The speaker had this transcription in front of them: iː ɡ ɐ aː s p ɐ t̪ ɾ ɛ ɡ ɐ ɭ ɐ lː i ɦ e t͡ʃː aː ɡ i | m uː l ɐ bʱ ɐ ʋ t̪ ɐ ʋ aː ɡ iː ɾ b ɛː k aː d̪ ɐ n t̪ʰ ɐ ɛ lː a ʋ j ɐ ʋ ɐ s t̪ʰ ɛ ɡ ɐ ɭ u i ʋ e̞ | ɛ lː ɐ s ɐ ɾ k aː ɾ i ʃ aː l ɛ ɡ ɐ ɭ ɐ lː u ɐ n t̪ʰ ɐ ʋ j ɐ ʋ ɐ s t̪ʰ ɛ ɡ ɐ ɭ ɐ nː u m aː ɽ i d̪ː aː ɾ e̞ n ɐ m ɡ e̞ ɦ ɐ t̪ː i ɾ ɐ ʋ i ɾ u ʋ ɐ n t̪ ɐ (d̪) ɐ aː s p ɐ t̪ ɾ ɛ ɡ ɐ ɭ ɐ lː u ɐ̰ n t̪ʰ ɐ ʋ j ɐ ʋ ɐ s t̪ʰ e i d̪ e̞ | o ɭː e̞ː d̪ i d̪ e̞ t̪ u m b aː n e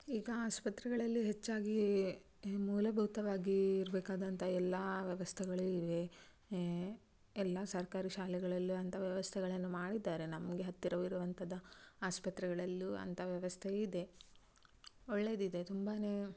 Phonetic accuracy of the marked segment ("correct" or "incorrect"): correct